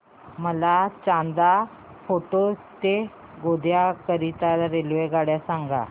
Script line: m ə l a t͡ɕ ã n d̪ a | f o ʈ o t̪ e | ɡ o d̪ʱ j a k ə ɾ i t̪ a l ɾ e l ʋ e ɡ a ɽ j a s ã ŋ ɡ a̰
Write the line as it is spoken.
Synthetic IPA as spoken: m ə l a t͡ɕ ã n d̪ a | f o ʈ o t̪ e | ɡ o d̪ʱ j a k ə ɾ i t̪ a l ɾ e l ʋ e ɡ a ɽ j a s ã ŋ ɡ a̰